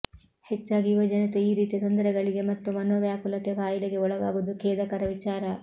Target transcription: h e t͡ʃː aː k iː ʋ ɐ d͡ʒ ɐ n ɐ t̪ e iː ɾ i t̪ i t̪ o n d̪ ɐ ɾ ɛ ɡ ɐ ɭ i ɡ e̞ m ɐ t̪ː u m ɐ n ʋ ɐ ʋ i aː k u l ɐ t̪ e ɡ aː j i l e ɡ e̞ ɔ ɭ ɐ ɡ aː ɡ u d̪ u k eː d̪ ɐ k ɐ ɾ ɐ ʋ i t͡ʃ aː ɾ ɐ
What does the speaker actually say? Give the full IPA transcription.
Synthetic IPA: h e t͡ʃː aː ɡ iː ʋ ɐ d͡ʒ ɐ n ɐ t̪ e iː ɾ iː t̪ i t̪ o n d̪ ɐ ɾ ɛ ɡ ɐ ɭ i ɡ e̞ m ɐ t̪ː u m ɐ n ʋ ɐ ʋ j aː k u l ɐ t̪ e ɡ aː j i l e ɡ e̞ ɔ ɭ ɐ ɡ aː ɡ u d̪ u k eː d̪ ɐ k ɐ ɾ ɐ ʋ i t͡ʃ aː ɾ ɐ